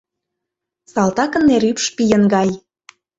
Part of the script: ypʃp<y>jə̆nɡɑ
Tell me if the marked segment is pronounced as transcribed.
no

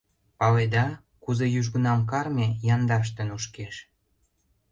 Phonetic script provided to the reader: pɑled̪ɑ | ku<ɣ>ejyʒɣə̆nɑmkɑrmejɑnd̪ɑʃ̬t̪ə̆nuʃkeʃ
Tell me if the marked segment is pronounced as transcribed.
no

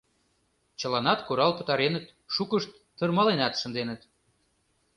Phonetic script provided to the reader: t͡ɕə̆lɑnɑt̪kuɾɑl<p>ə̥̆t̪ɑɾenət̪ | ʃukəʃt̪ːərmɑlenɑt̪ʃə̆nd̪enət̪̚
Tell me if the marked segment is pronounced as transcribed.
yes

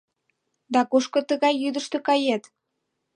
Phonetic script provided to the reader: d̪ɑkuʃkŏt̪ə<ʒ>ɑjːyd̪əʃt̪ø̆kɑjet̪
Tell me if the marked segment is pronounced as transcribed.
no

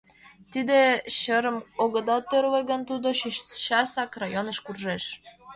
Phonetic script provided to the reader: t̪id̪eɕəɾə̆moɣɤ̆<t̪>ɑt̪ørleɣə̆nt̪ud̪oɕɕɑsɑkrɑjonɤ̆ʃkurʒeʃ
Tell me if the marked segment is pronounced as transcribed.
no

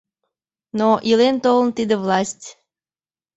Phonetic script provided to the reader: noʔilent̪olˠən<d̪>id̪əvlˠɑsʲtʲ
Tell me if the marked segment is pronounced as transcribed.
no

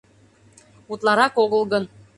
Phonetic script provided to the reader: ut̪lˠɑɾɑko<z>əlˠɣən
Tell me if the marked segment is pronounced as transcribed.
no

